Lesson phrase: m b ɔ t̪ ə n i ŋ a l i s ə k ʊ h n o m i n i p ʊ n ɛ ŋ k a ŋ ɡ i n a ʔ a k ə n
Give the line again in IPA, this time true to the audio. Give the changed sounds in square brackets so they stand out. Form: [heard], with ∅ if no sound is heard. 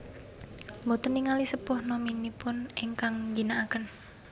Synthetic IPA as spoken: m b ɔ t̪ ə n i ŋ a l i s ə [p] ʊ h n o m i n i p ʊ n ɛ ŋ k a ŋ ɡ i n a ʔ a k ə n